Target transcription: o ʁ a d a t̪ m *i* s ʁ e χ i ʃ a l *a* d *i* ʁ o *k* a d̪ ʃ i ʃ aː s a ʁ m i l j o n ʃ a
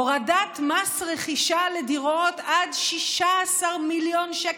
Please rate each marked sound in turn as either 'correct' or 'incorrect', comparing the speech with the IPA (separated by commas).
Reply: incorrect, incorrect, correct, incorrect